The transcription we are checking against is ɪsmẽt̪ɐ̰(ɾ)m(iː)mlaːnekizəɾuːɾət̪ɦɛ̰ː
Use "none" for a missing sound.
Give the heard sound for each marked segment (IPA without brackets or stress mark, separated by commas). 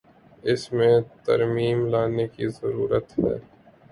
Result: ɾ, iː